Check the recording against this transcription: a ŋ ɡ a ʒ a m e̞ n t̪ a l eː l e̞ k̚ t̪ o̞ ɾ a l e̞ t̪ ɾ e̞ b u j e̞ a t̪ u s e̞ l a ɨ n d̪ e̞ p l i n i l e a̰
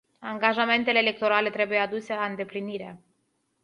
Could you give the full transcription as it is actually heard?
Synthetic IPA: a ŋ ɡ a ʒ a m e̞ n t̪ e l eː l e̞ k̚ t̪ o̞ ɾ a l e̞ t̪ ɾ e̞ b u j e̞ a d̪ u s e̞ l a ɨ n d̪ e̞ p l i n i ɾ e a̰